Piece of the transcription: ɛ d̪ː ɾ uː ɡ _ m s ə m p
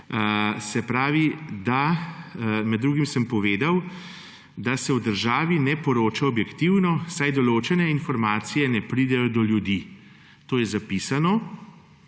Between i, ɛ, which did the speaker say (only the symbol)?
i